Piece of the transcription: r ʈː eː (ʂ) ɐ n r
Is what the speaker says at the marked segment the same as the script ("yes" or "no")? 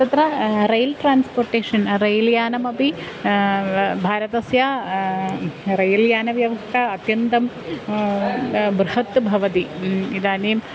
yes